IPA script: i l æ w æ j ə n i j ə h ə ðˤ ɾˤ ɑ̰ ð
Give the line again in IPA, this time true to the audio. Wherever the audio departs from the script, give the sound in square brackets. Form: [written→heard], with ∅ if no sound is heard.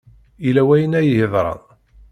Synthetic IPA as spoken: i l æ w æ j ə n [i→æ] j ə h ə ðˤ ɾˤ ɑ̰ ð